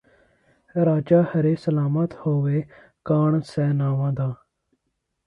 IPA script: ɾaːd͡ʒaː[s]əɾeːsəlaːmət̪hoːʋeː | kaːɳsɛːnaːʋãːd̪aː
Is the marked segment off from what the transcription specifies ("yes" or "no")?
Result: yes